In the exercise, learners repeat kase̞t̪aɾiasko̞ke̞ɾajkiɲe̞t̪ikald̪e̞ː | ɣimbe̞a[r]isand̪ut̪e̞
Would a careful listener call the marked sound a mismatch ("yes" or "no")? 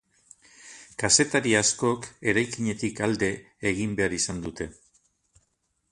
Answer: yes